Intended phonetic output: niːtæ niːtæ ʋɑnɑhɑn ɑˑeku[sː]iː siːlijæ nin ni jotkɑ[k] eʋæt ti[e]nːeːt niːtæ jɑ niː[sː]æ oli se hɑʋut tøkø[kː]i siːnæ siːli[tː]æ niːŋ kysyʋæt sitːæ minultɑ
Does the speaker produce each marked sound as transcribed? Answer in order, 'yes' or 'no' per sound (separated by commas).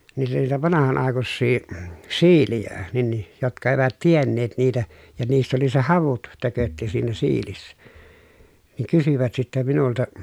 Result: yes, no, yes, yes, no, no